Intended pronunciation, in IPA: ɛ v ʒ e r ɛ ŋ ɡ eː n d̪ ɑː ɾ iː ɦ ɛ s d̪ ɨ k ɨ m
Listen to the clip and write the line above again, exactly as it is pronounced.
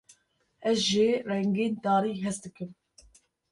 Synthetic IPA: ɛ z ʒ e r ɛ ŋ ɡ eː n d̪ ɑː ɾ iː ɦ ɛ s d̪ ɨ k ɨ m